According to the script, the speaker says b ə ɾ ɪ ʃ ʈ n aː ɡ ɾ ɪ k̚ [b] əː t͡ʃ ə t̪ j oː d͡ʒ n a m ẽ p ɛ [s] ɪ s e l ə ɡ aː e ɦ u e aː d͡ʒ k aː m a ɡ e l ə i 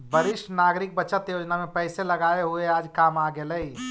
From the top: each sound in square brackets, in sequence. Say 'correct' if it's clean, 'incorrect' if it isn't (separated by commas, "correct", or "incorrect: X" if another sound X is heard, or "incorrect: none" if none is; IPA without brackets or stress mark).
correct, incorrect: none